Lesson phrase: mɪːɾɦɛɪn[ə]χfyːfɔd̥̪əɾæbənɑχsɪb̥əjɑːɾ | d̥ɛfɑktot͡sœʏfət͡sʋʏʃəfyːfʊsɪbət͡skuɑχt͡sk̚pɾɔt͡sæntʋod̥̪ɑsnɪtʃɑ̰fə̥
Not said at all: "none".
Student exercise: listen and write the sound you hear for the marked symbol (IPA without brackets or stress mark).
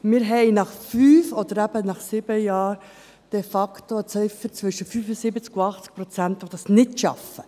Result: ɑ